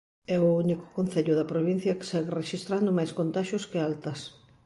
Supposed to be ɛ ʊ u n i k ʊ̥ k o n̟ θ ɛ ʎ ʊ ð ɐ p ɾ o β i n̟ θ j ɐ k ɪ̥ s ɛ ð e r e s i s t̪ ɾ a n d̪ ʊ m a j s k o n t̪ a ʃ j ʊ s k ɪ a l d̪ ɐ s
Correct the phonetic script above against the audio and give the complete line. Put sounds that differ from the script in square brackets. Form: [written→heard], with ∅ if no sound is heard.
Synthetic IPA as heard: ɛ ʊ u n i k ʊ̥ k o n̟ θ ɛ ʎ ʊ ð ɐ p ɾ o β i n̟ θ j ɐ k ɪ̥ s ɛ [ð→ɣ] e r e [s→ʃ] i s t̪ ɾ a n d̪ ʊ m a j s k o n t̪ a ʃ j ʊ s k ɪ a l [d̪→t̪] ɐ s